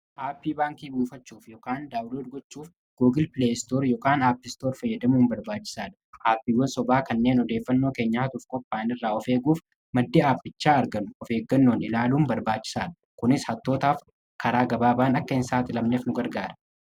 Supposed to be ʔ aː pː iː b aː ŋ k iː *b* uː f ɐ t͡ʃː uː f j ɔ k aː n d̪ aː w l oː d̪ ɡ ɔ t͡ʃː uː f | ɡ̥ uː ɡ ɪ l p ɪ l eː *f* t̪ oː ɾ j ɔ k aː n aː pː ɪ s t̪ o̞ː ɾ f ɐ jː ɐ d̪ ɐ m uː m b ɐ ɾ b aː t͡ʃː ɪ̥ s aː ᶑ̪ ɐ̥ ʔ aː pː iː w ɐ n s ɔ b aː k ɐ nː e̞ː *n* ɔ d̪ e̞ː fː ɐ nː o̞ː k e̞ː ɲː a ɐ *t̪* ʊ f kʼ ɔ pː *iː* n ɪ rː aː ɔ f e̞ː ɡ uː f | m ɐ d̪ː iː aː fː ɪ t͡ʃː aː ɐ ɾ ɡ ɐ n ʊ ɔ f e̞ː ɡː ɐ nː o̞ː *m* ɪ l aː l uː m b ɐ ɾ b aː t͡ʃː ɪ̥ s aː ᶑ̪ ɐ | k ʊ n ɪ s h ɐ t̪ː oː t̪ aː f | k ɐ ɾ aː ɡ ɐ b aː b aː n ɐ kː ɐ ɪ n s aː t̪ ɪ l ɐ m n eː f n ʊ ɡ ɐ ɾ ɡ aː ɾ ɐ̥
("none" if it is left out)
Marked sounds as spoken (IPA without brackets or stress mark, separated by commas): b, s, n, t̪, aː, n